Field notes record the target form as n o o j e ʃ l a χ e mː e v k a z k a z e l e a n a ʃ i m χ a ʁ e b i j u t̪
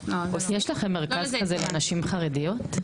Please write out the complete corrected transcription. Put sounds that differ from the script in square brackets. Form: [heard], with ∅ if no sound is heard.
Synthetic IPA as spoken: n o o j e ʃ l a χ e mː e [ʁ] k a z k a z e l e a n a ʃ i m χ a ʁ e [d] i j [o] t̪